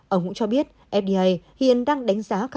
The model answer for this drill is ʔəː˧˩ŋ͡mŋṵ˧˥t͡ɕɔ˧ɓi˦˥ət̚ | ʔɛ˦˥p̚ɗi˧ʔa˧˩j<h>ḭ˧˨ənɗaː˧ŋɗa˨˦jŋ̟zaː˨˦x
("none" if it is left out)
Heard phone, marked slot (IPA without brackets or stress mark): h